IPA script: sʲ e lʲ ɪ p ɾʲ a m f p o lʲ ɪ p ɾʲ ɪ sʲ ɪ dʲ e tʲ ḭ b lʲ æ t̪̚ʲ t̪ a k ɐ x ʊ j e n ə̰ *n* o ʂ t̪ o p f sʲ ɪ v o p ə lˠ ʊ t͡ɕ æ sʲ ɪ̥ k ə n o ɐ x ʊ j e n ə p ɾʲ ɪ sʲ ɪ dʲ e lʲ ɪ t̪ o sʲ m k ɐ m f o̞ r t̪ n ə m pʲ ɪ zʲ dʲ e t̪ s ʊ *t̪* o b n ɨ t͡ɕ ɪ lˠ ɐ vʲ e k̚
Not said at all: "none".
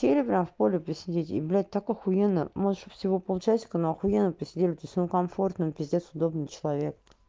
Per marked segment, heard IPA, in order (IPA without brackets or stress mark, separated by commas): m, d̪